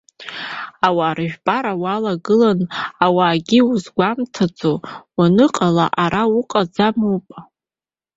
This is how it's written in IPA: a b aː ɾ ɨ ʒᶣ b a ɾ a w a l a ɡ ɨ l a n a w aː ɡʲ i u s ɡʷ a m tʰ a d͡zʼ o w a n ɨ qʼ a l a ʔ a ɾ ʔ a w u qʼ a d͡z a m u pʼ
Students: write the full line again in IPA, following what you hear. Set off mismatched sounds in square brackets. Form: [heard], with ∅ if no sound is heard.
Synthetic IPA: a [w] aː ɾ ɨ ʒᶣ b a ɾ a w a l a ɡ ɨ l a n a w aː ɡʲ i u [z] ɡʷ a m tʰ a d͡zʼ o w a n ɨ qʼ a l a ʔ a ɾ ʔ a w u qʼ a d͡z a m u pʼ